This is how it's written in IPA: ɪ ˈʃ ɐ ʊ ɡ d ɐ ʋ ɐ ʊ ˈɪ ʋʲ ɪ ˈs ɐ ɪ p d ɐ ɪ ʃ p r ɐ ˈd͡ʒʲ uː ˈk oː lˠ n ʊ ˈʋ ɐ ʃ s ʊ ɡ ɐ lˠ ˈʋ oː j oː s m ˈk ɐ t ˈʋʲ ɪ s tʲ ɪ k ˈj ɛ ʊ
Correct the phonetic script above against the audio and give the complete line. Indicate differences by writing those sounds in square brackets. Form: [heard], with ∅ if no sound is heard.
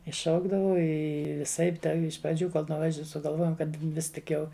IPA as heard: ɪ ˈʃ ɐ ʊ ɡ d ɐ ʋ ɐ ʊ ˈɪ ʋʲ ɪ ˈs ɐ ɪ p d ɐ ɪ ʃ p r ɐ ˈd͡ʒʲ uː ˈk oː lˠ n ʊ ˈʋ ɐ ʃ s ʊ ɡ ɐ lˠ ˈʋ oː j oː [∅] m ˈk ɐ t ˈʋʲ ɪ s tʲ ɪ k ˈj ɛ ʊ